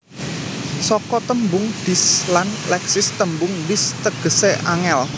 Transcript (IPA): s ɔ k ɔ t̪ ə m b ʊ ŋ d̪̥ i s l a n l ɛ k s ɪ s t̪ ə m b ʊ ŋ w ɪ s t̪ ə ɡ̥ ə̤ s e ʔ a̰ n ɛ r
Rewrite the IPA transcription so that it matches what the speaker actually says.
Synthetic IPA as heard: s ɔ k ɔ t̪ ə m b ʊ ŋ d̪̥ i s l a n l ɛ k s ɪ s t̪ ə m b ʊ ŋ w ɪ s t̪ ə ɡ̥ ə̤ s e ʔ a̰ ŋ ɛ l